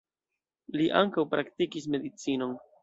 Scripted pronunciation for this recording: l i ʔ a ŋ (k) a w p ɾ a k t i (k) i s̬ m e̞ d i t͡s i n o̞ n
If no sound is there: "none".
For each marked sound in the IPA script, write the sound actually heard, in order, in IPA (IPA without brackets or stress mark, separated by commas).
k, k